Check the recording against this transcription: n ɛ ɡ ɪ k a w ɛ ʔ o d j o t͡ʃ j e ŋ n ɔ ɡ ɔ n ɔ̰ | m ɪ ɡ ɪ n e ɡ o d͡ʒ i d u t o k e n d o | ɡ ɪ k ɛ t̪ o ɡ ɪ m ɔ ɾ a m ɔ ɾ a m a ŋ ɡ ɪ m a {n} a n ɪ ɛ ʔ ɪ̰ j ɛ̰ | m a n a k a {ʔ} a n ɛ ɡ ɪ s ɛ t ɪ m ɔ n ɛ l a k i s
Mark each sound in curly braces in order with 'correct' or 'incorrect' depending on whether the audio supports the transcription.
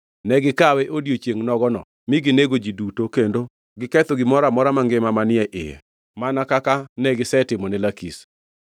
incorrect: m, incorrect: k

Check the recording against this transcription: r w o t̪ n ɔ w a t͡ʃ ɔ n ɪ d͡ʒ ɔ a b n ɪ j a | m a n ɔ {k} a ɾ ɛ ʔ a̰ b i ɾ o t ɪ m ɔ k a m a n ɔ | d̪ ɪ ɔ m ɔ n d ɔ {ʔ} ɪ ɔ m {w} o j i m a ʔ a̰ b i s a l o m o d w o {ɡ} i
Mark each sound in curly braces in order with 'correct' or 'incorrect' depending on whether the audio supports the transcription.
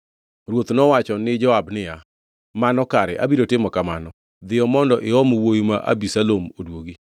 correct, correct, correct, correct

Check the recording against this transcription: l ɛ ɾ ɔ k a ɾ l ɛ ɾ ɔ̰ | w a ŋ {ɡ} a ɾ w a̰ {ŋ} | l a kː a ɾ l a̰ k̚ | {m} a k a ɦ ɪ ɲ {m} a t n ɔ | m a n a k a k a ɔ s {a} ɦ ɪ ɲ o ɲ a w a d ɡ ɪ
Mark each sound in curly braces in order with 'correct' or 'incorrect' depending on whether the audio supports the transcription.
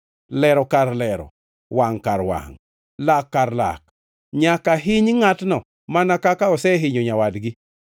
incorrect: k, correct, incorrect: ɲ, incorrect: ŋ, incorrect: ɛ

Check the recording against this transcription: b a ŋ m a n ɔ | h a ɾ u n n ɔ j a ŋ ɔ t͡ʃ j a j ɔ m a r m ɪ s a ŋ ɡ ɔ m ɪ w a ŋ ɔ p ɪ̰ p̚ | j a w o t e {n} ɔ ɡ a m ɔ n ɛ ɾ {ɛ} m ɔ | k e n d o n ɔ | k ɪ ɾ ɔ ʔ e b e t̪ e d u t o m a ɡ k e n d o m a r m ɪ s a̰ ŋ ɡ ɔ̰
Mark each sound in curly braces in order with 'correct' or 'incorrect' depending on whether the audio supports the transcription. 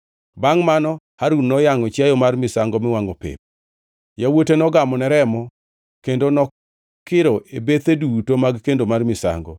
correct, correct

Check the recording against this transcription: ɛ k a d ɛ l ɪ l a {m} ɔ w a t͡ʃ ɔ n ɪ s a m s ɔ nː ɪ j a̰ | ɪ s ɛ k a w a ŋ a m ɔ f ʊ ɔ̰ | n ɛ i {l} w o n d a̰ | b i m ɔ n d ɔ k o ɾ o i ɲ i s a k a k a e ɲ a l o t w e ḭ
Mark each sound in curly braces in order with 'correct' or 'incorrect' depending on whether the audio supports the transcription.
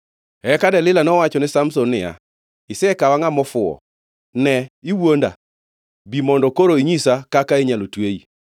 incorrect: n, incorrect: none

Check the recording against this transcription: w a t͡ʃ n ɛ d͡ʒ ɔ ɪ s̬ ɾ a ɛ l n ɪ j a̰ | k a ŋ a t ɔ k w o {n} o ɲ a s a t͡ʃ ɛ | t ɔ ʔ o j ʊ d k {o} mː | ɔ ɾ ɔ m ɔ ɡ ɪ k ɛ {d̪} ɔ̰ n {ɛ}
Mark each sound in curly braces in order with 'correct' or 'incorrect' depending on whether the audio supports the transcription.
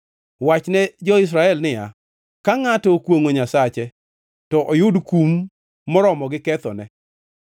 incorrect: ŋ, incorrect: u, incorrect: t̪, correct

